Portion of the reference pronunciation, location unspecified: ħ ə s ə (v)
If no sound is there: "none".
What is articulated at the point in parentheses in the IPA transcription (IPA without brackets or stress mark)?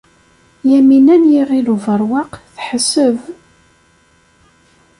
v